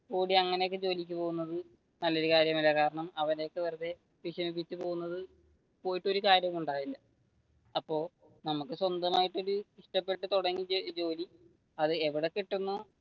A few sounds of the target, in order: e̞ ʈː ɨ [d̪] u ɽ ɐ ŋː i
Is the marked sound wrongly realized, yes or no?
yes